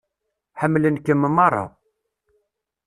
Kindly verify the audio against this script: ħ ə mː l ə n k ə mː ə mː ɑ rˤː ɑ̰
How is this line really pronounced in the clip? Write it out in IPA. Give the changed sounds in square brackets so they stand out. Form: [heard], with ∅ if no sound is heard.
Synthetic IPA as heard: ħ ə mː l ə n k ə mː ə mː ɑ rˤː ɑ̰

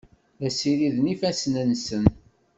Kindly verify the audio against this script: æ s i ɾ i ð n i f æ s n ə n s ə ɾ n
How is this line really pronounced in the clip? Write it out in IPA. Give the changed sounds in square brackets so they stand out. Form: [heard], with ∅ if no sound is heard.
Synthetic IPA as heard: æ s i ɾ i ð n i f æ s n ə n s ə [∅] n

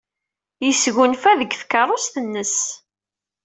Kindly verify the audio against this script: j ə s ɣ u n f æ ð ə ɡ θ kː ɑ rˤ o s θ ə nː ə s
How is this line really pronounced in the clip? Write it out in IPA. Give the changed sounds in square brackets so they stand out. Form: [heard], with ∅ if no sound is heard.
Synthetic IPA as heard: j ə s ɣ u n f æ ð ə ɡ θ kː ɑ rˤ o s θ ə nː ə s

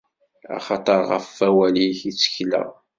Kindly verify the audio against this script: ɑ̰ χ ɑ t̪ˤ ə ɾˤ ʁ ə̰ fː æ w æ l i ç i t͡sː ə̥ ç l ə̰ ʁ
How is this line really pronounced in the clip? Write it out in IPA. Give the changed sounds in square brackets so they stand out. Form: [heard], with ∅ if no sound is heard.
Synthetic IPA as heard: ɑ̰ χ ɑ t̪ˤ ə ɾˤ ʁ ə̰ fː æ w æ l i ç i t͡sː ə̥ ç l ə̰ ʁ

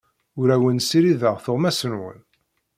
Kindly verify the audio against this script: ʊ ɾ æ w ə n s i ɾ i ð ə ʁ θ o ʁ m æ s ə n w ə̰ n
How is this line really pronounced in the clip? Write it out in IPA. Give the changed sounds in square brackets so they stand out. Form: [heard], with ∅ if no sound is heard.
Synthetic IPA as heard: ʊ ɾ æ w ə n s i ɾ i ð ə ʁ θ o ʁ m æ s ə n w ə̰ n

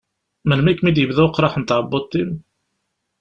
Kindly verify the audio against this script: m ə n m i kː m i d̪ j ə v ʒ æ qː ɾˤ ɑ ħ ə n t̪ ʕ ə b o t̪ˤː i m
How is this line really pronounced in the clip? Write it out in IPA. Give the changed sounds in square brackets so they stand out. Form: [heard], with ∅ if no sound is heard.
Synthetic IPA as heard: m ə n m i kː m i d̪ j ə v [ð] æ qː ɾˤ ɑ ħ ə n t̪ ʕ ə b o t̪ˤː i m

